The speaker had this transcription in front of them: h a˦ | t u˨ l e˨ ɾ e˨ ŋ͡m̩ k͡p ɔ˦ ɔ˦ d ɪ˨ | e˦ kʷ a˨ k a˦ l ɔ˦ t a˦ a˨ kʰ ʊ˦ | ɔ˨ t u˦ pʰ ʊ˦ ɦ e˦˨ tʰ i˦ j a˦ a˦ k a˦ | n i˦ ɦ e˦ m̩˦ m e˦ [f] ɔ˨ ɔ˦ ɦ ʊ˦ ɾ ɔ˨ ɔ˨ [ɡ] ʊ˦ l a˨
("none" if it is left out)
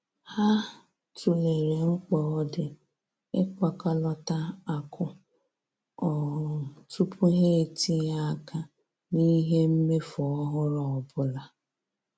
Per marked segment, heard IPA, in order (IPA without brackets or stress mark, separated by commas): f, b